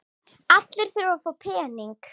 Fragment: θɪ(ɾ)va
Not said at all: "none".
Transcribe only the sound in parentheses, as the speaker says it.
ɾ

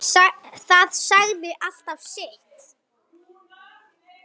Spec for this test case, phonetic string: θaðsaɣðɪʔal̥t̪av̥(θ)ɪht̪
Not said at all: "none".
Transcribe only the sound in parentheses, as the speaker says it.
s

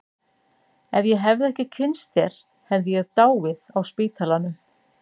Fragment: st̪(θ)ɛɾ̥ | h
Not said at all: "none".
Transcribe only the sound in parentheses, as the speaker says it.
θ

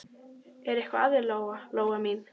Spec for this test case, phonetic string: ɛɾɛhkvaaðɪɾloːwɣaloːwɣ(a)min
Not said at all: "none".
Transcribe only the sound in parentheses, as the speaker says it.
a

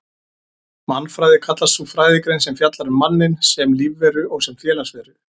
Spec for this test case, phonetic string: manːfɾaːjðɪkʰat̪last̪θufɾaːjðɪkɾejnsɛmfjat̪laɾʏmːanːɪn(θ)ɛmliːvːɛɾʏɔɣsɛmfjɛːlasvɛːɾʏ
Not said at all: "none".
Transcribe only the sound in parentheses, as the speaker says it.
s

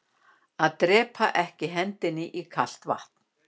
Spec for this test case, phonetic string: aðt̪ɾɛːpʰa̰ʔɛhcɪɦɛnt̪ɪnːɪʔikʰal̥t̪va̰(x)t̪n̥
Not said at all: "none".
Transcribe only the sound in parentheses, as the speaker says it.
h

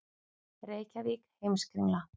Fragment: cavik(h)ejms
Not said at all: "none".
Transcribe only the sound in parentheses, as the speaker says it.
h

